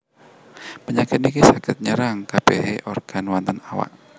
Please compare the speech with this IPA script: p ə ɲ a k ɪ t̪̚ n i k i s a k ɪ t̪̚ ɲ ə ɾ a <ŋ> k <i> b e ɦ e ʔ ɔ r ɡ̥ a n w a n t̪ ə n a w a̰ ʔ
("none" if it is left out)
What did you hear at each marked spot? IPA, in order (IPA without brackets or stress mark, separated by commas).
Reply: ŋ, a